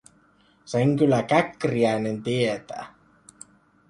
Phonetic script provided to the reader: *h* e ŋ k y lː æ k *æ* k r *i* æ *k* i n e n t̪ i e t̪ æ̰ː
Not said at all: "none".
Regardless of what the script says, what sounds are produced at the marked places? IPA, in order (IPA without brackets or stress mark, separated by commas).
s, æ, i, none